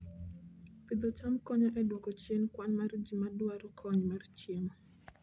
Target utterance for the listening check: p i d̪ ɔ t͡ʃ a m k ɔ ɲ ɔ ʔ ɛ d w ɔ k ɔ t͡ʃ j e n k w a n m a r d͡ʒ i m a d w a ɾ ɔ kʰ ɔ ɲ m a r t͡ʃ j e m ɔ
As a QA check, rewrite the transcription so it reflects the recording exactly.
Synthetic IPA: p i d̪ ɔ t͡ʃ a m k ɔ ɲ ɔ ʔ ɛ d w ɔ k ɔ t͡ʃ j e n k w a n m a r d͡ʒ i m a d w a ɾ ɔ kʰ ɔ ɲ m a r t͡ʃ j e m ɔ

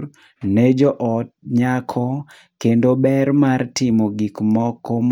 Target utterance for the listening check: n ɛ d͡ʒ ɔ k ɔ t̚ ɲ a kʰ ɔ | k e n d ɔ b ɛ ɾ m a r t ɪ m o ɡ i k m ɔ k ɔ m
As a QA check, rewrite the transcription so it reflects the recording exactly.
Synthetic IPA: n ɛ d͡ʒ ɔ ʔ ɔ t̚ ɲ a kʰ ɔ | k e n d o b ɛ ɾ m a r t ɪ m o ɡ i k m ɔ k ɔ m

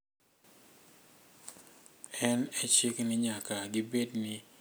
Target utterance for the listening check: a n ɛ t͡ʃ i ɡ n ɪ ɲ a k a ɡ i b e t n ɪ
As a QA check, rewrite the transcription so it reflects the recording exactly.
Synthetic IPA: ɛ n ɛ t͡ʃ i k n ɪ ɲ a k a ɡ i b e d n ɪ

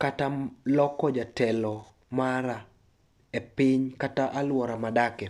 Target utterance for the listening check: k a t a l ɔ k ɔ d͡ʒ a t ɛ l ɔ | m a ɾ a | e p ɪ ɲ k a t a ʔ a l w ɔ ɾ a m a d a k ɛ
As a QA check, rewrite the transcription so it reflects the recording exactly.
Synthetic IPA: k a t a l ɔ k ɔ d͡ʒ a t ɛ l ɔ | m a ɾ a | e p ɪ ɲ k a t a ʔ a l w ɔ ɾ a m a d a k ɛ

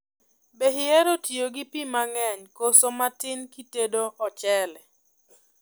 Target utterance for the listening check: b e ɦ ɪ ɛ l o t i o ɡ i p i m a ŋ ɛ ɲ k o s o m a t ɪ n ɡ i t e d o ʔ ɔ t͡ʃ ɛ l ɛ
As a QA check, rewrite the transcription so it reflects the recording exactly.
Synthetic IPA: b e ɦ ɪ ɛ ɾ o t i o ɡ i p i m a ŋ ɛ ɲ k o s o m a t ɪ n k i t e d o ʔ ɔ t͡ʃ ɛ l ɛ

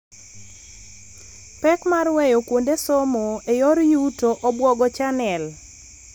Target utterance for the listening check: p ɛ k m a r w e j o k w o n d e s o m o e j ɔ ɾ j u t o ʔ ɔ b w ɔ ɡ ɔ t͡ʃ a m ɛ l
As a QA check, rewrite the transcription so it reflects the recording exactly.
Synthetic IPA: p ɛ k m a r w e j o k w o n d e s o m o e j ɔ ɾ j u t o ʔ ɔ b w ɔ ɡ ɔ t͡ʃ a n ɛ l

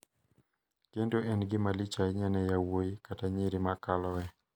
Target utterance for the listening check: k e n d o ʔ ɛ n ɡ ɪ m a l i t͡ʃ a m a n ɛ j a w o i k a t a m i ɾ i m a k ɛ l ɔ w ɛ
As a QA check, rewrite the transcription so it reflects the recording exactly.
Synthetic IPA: k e n d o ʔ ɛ n ɡ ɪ m a l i t͡ʃ a ɲ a n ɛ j a w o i k a t a ɲ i ɾ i m a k a l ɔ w ɛ

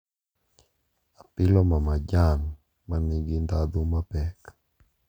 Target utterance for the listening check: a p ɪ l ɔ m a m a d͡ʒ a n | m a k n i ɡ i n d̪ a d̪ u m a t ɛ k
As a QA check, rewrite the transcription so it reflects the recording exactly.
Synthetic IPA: a p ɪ l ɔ m a m a d͡ʒ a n | m a n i ɡ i n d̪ a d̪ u m a p ɛ k

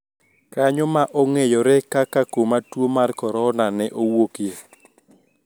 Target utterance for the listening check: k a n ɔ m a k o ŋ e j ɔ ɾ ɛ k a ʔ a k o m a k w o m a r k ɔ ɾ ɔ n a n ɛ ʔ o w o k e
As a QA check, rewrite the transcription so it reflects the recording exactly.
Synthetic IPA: k a ɲ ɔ m a ʔ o ŋ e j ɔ ɾ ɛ k a k a k o m a t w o m a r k ɔ ɾ ɔ n a n ɛ ʔ o w o k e

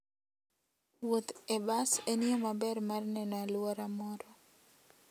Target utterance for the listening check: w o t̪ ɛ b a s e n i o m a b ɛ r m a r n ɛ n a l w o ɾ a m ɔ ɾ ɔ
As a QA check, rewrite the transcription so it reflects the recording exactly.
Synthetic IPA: w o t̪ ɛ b a s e n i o m a b ɛ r m a r n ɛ n a l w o ɾ a m ɔ ɾ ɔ

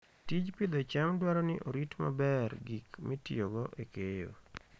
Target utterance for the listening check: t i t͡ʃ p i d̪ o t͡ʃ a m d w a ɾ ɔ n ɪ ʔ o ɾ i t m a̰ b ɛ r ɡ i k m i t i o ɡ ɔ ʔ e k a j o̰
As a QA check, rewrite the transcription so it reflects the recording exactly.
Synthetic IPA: t i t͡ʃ p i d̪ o t͡ʃ a m d w a ɾ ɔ n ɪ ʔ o ɾ i t m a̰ b ɛ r ɡ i k m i t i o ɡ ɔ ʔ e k e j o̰

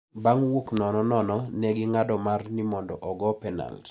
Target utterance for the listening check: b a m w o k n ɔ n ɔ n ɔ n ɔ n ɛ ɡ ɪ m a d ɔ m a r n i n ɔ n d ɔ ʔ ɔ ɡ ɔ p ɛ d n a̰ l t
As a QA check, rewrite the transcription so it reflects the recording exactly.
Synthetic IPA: b a ŋ w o k n ɔ n ɔ n ɔ n ɔ n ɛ ɡ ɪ ŋ a d ɔ m a r n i m ɔ n d ɔ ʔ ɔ ɡ ɔ p ɛ n a̰ l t

